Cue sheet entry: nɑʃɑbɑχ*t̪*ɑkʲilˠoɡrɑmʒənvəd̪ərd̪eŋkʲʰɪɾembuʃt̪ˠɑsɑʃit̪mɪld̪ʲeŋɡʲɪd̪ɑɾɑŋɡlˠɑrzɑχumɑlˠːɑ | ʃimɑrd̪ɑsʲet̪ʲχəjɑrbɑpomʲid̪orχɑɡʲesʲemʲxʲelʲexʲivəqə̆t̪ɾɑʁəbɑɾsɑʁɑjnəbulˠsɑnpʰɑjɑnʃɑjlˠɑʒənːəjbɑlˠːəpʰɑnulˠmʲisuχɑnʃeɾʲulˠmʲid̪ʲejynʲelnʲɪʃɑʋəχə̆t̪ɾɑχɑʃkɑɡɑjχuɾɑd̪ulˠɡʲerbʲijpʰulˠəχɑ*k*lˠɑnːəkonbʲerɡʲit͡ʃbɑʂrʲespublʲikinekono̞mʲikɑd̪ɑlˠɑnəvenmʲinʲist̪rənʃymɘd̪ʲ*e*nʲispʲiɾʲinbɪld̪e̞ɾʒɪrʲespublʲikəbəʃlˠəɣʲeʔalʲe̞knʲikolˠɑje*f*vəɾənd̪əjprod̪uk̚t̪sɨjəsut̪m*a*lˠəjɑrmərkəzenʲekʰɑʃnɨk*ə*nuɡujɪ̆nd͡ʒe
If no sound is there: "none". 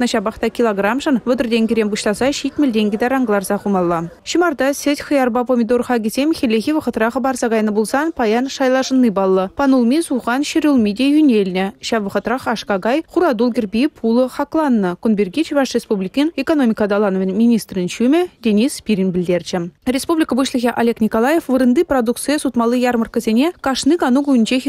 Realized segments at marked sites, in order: t̪, k, e, f, ɑ, ɑ

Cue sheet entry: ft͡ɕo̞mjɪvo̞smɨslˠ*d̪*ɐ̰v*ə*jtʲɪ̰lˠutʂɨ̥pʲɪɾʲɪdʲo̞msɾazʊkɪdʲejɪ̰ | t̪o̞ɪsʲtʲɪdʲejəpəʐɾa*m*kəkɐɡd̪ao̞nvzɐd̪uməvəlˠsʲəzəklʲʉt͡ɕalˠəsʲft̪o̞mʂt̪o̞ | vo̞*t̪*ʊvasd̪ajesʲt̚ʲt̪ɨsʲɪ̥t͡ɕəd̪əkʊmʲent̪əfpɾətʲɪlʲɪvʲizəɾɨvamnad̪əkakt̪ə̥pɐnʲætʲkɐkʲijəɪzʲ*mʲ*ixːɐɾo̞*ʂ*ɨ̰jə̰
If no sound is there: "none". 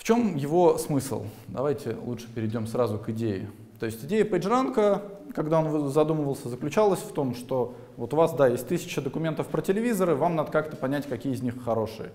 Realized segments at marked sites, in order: d̪, a, n, t̪, nʲ, ʂ

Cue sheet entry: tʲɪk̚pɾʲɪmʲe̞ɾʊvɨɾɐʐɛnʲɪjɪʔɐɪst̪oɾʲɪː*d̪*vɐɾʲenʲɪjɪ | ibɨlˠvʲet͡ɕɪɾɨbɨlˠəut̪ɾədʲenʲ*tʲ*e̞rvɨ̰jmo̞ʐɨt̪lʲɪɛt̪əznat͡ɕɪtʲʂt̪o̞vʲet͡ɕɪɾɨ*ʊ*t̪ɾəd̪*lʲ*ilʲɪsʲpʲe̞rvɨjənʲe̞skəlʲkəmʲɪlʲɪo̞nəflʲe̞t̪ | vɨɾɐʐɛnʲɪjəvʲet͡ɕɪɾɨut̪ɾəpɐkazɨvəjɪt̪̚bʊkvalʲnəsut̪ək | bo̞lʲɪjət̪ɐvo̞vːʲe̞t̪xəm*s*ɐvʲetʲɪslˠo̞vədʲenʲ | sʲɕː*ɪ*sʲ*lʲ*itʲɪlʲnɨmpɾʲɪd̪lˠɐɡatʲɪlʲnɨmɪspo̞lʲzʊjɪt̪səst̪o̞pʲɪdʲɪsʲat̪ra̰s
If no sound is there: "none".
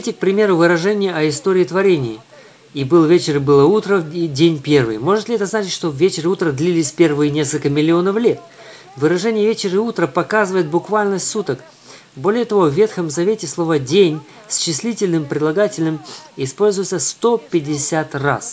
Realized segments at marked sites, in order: t̪, pʲ, u, lʲ, z, ɪ, lʲ

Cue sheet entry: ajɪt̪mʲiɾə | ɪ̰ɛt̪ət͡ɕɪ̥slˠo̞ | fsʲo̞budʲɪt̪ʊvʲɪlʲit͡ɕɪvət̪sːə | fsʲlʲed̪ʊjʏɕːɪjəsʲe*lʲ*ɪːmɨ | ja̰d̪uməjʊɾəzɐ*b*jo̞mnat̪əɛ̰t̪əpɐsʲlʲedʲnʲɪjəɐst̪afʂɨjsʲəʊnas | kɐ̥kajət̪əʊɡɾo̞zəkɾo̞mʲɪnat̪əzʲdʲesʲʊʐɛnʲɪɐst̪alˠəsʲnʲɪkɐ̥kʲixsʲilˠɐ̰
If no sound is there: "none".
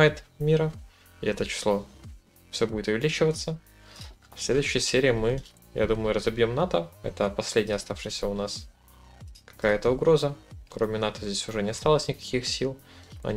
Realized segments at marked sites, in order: ɾʲ, b

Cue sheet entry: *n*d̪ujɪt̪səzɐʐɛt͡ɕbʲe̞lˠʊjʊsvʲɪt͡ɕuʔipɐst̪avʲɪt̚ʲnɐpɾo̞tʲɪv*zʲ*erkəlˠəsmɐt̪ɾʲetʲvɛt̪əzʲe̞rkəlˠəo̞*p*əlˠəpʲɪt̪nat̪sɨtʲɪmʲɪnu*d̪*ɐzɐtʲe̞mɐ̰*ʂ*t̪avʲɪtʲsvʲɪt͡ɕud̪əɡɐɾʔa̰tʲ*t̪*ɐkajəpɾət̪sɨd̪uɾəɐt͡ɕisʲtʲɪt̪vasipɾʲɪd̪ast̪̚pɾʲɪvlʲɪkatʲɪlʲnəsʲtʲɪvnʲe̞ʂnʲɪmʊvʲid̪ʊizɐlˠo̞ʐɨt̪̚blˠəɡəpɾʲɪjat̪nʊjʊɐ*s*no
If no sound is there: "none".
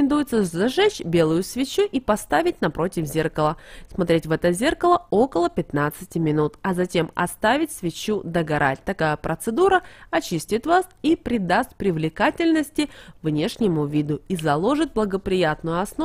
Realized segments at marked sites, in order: n, zʲ, k, t̪, s, t̪, s

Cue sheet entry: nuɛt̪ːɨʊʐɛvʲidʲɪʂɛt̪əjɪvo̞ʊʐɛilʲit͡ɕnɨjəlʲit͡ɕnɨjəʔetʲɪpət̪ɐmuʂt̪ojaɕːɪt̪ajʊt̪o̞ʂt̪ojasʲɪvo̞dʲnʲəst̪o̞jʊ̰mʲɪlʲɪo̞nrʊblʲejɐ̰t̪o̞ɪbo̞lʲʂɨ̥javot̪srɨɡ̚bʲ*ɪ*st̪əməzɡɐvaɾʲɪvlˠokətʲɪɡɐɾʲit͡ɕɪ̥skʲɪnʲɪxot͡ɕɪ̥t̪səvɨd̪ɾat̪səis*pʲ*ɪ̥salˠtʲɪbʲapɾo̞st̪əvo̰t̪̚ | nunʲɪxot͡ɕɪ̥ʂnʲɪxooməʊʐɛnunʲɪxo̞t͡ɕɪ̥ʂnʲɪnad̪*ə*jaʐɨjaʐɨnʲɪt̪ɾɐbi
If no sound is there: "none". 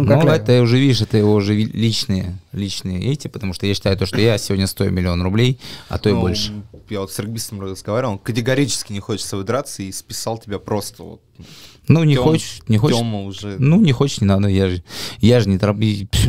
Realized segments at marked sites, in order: i, pʲ, ə

